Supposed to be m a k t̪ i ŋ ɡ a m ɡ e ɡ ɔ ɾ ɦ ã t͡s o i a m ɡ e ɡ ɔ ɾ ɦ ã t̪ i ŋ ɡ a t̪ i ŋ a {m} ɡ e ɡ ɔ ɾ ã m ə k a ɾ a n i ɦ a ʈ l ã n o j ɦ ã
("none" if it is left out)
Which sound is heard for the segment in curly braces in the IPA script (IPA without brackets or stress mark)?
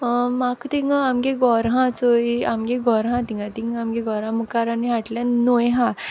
m